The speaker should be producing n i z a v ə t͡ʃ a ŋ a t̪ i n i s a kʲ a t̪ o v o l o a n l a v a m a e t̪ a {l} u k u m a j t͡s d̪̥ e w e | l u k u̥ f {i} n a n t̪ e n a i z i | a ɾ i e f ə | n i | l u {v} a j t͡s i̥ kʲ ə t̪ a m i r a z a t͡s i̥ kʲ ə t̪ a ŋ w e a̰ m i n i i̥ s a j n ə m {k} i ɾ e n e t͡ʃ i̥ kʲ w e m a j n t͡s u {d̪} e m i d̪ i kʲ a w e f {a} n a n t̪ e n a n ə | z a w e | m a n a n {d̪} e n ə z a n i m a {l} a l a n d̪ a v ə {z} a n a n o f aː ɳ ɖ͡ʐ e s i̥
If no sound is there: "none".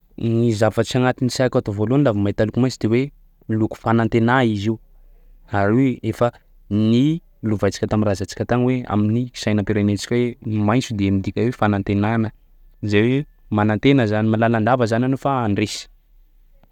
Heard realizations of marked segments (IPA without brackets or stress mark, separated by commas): l, a, v, p, d̪, a, t̪, l, z